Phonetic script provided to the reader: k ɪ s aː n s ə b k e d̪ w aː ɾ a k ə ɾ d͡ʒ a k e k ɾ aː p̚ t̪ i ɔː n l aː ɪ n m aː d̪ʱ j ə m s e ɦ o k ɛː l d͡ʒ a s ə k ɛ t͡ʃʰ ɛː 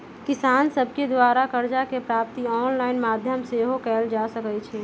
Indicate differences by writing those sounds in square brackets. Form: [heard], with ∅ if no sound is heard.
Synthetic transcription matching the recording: k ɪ s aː n s ə b k e d̪ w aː ɾ a k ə ɾ d͡ʒ a k e [p] ɾ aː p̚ t̪ i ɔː n l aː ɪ n m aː d̪ʱ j ə m s e ɦ o k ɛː l d͡ʒ a s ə k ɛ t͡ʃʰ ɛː